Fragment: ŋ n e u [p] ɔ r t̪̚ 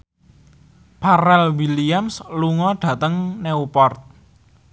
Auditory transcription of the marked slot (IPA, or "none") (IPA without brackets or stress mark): p